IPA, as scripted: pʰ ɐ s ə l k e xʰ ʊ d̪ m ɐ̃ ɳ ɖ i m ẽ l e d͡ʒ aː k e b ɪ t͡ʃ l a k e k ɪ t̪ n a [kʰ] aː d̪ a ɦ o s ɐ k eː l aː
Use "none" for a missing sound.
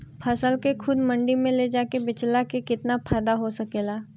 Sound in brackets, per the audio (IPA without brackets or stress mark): pʰ